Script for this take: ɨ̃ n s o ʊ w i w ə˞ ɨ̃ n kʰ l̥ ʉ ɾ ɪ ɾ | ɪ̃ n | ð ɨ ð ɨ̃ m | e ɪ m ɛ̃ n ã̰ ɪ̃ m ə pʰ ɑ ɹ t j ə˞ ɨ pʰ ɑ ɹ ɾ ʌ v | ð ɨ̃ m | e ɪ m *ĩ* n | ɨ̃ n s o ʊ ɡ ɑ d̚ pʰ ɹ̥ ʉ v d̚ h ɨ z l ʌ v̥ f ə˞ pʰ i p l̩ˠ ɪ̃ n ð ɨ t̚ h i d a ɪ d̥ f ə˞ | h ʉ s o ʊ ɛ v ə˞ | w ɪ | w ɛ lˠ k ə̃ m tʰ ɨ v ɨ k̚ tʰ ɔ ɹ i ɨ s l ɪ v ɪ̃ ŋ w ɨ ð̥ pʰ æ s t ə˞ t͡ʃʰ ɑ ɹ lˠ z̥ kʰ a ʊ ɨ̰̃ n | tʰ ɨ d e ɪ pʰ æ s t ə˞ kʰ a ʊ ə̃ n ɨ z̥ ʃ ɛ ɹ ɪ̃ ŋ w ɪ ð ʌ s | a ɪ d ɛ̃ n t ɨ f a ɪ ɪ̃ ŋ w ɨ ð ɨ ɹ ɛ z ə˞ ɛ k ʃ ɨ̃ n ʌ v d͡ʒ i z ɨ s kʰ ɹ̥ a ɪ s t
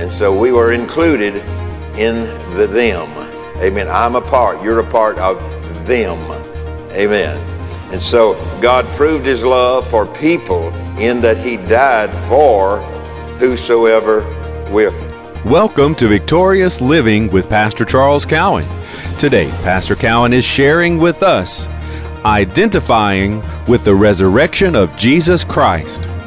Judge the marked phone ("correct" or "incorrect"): incorrect